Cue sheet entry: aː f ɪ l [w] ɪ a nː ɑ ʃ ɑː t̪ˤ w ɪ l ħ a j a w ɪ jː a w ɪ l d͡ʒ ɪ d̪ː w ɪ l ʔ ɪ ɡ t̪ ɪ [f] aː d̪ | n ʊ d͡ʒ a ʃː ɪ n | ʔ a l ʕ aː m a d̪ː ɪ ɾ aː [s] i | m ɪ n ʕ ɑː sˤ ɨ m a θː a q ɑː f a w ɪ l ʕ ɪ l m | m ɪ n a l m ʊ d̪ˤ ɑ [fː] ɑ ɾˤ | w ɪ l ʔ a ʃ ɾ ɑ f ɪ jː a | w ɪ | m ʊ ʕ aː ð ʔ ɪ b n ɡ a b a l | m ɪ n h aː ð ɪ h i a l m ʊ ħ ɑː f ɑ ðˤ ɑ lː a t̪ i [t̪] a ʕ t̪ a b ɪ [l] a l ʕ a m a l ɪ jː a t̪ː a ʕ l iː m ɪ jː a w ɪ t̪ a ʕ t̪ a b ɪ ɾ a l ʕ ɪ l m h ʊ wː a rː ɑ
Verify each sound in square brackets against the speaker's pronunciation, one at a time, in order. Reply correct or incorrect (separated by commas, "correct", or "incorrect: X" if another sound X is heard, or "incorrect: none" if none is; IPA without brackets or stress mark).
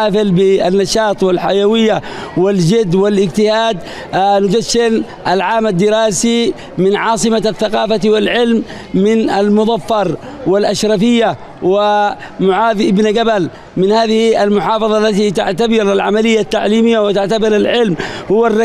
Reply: incorrect: b, incorrect: h, correct, correct, correct, incorrect: ɾ